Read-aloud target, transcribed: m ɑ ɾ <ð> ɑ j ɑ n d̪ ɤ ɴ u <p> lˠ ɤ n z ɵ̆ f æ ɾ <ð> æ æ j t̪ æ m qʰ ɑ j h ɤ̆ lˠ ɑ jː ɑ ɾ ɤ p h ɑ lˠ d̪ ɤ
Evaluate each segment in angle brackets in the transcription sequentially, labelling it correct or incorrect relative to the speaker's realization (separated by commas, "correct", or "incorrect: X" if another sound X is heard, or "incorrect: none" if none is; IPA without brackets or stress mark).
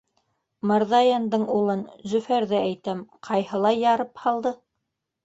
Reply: correct, incorrect: none, correct